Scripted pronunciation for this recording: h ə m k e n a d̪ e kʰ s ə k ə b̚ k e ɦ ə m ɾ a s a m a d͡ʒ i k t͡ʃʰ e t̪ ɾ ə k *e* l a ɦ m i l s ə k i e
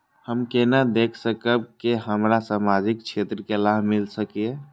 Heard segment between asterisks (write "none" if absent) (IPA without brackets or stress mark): e